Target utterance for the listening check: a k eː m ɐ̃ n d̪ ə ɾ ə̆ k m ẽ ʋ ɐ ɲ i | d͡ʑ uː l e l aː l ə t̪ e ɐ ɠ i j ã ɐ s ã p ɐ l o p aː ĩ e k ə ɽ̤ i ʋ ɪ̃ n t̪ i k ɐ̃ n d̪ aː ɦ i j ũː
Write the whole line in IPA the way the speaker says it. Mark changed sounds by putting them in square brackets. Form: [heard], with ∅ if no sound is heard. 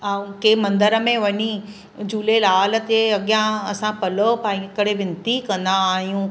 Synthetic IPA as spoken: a k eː m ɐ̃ n d̪ ə ɾ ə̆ [∅] m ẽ ʋ ɐ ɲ i | d͡ʑ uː l e l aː l ə t̪ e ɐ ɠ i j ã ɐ s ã p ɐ l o p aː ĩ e k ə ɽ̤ [e] ʋ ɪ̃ n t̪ i k ɐ̃ n d̪ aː ɦ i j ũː